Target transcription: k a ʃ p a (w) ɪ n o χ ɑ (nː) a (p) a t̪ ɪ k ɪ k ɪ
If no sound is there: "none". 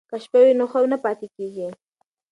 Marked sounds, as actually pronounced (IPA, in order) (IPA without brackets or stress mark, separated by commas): w, n, p